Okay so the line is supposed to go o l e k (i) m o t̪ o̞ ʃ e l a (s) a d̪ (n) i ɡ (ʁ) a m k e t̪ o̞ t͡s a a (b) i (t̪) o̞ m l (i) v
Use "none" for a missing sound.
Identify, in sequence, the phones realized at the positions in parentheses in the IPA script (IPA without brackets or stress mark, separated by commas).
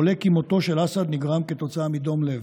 i, s, n, ʁ, m, d̪, e